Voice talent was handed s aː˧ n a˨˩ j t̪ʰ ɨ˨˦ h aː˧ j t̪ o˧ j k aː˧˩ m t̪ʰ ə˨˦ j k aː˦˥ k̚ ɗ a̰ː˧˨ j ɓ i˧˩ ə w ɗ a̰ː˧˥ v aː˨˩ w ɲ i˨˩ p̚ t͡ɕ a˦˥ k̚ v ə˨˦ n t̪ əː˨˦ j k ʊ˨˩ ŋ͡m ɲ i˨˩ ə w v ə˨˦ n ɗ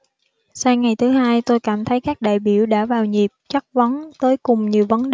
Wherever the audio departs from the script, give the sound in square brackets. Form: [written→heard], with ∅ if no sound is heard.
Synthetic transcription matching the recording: s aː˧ [n→ŋ] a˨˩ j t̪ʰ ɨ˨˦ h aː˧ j t̪ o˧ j k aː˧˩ m t̪ʰ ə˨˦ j k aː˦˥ k̚ ɗ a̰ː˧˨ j ɓ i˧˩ ə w ɗ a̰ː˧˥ v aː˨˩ w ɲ i˨˩ p̚ t͡ɕ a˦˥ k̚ v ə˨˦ n t̪ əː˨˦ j k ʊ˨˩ ŋ͡m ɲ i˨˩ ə w v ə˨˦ n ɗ